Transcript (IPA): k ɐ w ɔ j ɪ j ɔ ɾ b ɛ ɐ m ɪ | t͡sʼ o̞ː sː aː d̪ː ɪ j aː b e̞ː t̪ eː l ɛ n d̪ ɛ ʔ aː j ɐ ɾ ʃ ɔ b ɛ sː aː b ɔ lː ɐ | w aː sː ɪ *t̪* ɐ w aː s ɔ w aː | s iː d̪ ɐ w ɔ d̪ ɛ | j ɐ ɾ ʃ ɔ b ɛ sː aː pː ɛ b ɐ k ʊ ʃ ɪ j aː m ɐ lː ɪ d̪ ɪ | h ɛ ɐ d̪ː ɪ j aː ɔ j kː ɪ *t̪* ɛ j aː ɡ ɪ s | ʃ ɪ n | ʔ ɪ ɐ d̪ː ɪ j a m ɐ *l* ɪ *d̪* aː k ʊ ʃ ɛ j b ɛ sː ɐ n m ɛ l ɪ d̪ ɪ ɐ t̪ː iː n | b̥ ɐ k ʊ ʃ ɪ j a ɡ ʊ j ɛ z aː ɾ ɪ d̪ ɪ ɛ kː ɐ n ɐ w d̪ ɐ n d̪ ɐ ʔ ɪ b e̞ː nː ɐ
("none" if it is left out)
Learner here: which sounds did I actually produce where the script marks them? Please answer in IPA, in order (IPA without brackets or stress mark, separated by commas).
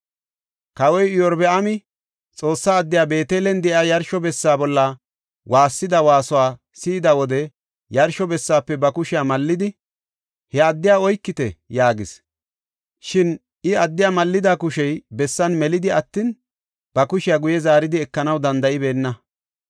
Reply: d̪, t̪, lː, d̪